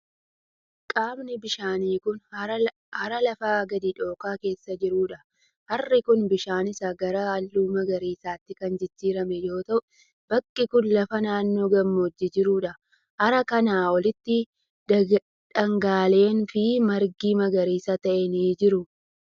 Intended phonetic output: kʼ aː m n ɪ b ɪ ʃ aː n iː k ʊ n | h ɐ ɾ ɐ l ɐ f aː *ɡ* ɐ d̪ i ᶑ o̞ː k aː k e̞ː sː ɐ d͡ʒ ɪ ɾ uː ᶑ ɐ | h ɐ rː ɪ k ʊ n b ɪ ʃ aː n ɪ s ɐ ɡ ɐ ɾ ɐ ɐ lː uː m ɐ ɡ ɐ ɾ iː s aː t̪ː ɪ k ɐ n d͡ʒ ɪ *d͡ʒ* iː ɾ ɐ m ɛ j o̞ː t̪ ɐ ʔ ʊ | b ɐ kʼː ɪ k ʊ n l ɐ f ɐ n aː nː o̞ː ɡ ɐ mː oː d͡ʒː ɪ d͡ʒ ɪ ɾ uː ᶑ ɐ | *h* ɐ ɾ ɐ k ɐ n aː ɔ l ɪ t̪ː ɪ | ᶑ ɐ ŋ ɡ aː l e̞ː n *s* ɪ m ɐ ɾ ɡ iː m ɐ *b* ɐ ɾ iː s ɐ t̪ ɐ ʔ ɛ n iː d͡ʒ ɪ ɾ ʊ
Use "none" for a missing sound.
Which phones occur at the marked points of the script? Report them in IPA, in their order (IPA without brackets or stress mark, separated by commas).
ɡ, d͡ʒː, h, f, ɡ